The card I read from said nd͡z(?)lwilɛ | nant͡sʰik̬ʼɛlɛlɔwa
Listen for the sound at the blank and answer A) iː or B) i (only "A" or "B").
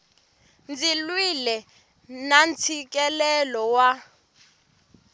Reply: B